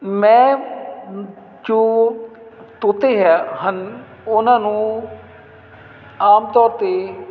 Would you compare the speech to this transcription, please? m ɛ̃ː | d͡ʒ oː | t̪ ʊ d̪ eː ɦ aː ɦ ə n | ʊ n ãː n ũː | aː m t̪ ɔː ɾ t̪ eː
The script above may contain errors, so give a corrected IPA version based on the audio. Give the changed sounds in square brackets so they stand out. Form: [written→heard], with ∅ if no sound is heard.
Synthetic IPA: m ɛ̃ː | d͡ʒ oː | t̪ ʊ [d̪→t̪] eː ɦ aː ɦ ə n | ʊ n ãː n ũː | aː m t̪ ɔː ɾ t̪ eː